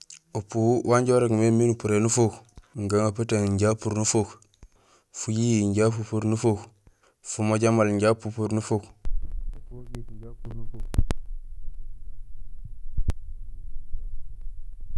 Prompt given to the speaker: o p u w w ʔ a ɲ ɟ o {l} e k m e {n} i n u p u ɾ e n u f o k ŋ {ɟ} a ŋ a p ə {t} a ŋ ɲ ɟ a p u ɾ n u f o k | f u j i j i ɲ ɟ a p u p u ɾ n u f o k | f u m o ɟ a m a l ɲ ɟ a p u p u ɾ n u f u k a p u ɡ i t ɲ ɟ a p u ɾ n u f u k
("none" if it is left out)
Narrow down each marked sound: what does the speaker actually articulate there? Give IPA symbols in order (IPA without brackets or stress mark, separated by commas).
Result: ɾ, m, ɡ, t